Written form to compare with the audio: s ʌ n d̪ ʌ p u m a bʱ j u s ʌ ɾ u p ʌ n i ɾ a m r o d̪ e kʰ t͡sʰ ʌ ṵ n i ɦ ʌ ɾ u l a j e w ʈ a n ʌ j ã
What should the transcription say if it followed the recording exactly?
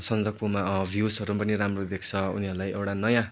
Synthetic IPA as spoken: s ʌ n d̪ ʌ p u m a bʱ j u s ʌ ɾ u p ʌ n i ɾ a m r o d̪ e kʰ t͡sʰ ʌ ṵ n i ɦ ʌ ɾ u l a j e w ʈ a n ʌ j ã